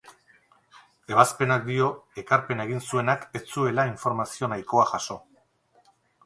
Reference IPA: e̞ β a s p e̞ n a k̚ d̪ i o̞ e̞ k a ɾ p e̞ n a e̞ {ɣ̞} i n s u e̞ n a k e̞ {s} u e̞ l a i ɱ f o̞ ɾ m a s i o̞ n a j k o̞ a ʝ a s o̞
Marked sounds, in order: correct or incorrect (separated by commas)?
correct, incorrect